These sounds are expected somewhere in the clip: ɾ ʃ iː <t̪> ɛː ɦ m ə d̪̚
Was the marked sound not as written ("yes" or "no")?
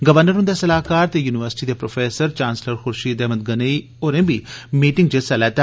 yes